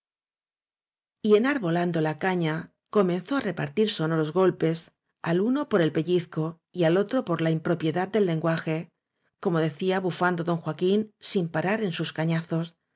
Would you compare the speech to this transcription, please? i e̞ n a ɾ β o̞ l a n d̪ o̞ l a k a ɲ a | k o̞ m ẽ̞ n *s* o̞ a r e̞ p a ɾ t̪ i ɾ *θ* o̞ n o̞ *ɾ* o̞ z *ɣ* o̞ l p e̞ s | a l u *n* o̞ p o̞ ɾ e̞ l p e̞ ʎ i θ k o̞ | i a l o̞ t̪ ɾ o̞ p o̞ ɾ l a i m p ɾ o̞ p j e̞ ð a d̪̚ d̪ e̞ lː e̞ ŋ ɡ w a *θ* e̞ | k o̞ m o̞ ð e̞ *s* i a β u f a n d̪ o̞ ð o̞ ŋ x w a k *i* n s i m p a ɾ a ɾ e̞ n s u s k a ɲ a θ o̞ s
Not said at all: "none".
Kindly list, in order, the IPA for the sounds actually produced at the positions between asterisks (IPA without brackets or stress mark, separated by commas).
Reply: θ, s, ɾ, ɣ, n, x, θ, i